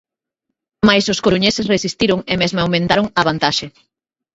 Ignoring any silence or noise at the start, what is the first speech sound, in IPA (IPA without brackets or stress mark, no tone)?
m